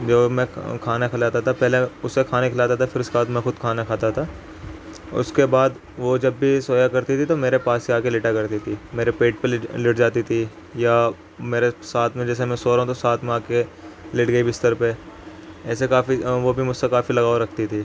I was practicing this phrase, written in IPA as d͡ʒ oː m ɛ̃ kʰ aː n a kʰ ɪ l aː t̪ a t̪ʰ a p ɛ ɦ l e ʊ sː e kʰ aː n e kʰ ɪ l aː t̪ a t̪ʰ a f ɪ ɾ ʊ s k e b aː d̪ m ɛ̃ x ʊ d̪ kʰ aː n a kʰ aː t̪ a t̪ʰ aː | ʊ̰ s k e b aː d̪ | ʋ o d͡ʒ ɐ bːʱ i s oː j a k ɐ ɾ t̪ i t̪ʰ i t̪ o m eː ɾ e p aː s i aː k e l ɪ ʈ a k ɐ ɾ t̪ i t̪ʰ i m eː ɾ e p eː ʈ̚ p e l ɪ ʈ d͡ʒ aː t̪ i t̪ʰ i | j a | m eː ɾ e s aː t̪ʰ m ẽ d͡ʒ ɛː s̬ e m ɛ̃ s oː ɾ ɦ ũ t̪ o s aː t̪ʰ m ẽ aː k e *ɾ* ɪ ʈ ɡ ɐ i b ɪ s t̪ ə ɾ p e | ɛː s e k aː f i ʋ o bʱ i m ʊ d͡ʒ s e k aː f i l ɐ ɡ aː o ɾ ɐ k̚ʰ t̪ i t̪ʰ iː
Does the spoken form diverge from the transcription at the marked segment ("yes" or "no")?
yes